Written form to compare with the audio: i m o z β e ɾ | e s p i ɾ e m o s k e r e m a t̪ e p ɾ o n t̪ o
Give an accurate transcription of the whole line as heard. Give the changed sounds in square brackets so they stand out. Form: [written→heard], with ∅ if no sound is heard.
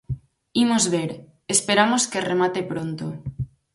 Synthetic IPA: i m o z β e ɾ | e s p [i→e] ɾ [e→a] m o s k e r e m a t̪ e p ɾ o n t̪ o